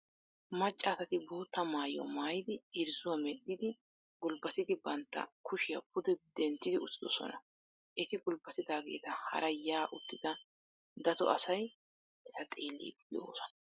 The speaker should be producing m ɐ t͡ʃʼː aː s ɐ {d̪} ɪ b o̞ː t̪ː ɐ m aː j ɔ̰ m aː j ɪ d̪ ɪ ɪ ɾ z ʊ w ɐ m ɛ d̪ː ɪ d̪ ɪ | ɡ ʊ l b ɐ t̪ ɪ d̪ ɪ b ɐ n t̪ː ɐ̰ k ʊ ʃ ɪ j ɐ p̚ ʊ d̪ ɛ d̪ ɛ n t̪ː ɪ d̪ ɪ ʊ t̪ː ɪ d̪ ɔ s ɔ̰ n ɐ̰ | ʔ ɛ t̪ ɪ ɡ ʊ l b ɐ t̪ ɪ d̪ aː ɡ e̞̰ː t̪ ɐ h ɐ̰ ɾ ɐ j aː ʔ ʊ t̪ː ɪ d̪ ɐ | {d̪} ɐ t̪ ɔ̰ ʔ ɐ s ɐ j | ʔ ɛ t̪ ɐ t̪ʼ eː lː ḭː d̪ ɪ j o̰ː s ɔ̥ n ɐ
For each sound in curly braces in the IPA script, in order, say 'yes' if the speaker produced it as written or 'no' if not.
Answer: no, yes

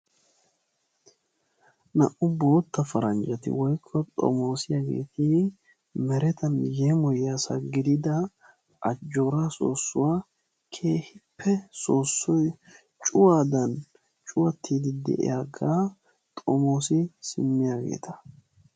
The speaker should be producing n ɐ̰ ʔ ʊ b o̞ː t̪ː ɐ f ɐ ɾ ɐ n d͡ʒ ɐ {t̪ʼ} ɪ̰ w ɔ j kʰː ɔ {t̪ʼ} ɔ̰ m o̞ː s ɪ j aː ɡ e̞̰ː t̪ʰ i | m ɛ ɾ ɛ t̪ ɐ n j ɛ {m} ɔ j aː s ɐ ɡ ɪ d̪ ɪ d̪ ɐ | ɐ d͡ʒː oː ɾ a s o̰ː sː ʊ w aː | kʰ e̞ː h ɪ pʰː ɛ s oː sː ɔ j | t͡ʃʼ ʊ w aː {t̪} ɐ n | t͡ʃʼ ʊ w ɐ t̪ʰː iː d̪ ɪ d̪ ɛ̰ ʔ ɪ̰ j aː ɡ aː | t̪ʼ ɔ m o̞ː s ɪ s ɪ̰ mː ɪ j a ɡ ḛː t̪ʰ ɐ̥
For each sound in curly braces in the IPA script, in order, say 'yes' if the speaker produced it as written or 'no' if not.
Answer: no, yes, yes, no

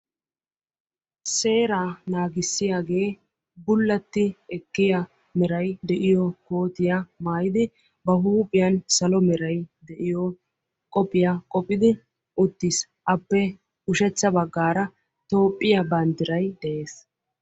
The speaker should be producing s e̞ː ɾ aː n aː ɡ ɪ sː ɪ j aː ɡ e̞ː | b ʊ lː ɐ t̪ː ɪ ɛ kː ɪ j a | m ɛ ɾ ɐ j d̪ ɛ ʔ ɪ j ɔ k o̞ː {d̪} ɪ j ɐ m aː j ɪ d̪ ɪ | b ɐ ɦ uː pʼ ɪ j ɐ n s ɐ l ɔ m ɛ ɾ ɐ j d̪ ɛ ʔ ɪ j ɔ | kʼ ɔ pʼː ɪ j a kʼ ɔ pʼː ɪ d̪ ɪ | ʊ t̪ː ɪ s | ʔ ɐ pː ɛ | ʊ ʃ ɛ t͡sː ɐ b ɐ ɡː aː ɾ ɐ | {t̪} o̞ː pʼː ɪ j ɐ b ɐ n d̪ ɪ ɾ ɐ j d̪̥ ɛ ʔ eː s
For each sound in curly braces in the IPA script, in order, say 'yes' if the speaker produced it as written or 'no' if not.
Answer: no, yes

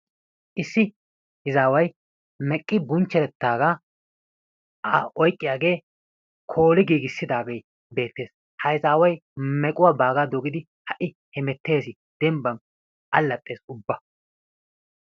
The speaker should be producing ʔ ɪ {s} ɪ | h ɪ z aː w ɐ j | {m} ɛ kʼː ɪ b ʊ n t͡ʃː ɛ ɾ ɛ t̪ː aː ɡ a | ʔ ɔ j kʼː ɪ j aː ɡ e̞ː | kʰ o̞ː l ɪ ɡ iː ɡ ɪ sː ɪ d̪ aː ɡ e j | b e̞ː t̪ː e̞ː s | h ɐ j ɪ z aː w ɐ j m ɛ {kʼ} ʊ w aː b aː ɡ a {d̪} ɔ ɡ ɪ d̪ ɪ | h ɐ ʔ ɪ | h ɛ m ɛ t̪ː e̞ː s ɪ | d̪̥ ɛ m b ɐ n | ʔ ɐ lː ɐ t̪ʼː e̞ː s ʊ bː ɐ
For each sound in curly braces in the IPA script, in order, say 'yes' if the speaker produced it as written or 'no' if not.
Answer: no, yes, yes, yes

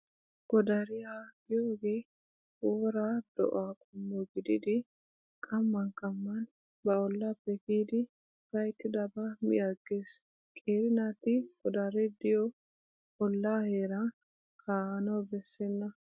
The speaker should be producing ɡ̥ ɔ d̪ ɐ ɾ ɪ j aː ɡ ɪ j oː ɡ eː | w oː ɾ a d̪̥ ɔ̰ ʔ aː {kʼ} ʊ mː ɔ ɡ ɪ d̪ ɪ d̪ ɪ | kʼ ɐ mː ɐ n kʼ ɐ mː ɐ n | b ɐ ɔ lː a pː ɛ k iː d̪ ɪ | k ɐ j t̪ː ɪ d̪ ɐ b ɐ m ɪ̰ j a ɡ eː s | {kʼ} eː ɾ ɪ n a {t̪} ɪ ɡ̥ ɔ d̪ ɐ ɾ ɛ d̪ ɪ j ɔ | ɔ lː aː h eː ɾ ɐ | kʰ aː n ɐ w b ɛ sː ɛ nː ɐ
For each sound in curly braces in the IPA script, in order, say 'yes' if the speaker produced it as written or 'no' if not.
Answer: yes, yes, yes

